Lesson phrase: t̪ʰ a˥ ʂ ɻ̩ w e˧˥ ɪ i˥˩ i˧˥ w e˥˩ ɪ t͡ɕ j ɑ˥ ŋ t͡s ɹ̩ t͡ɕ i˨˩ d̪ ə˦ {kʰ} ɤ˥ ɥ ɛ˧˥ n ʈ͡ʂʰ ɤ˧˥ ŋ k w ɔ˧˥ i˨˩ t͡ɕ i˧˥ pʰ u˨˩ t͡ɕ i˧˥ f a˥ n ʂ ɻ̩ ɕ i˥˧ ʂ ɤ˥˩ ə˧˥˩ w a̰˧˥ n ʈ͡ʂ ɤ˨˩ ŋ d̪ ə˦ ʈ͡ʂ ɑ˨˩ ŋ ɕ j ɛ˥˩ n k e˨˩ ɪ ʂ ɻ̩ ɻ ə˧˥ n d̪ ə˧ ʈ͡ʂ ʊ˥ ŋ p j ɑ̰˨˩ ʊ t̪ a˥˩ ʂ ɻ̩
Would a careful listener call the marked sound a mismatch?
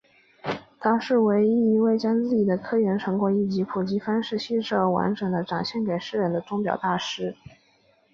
no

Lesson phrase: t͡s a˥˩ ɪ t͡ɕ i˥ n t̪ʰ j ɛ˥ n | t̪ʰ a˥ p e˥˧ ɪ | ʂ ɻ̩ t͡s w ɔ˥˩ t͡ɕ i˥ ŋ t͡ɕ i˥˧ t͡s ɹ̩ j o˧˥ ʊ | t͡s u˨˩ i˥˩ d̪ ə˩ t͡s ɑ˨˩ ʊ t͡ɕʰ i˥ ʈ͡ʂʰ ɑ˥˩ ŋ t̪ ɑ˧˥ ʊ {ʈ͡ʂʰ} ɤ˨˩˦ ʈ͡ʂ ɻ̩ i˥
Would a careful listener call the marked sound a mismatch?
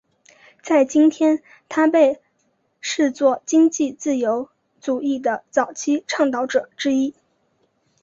yes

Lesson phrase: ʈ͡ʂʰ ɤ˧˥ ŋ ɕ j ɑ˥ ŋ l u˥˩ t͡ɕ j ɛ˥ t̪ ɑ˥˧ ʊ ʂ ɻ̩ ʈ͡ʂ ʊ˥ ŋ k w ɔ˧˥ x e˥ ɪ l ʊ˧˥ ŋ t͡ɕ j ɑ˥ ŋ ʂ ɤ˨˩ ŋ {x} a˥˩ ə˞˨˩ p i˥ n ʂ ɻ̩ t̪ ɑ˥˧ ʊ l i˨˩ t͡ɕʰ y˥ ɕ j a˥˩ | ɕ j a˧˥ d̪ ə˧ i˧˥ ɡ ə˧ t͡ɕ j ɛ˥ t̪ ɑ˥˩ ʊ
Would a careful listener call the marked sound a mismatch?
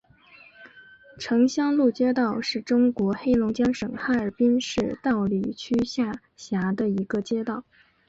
no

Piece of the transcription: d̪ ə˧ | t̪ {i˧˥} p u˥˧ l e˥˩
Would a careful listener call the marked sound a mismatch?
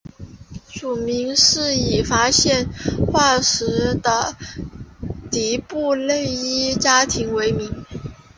no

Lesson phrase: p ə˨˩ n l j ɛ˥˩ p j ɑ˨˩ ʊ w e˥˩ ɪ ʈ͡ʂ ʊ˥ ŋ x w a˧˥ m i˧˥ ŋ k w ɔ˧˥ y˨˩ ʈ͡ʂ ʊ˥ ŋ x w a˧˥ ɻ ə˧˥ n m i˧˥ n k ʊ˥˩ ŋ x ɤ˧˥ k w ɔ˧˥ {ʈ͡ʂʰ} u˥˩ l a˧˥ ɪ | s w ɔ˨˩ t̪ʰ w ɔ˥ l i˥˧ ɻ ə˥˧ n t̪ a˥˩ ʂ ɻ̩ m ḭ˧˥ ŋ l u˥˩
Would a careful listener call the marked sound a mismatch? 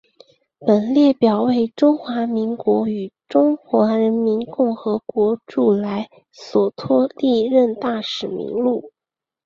yes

